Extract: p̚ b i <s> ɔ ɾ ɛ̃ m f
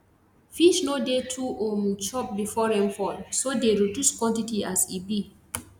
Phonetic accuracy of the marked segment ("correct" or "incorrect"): incorrect